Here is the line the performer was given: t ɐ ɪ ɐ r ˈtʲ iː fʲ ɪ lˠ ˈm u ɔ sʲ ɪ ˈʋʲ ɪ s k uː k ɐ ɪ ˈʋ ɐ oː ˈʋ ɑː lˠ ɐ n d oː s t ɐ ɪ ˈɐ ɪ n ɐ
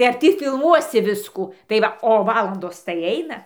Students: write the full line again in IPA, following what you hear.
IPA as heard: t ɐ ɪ ɐ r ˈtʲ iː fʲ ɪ lˠ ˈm u ɔ sʲ ɪ ˈʋʲ ɪ s k uː t ɐ ɪ ˈʋ ɐ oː ˈʋ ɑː lˠ ɐ n d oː s t ɐ ɪ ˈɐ ɪ n ɐ